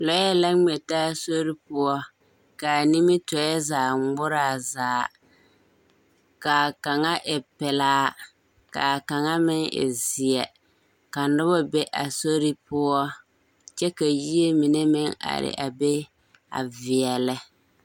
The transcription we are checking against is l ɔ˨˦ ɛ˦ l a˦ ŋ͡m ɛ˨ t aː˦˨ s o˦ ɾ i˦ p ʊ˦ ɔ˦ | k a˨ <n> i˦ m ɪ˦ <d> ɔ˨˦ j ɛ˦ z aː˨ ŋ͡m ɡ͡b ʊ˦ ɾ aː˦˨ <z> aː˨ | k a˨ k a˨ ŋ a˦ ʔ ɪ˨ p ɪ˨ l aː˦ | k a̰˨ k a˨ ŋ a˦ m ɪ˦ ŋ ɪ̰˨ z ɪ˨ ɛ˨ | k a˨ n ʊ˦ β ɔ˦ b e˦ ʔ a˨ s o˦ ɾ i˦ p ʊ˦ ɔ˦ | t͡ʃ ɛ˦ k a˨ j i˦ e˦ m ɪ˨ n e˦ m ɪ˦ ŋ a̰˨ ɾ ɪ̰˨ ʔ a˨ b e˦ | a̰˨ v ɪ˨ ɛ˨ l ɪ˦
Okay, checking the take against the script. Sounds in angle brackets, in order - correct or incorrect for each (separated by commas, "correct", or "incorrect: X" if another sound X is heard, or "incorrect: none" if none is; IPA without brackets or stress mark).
correct, incorrect: t, correct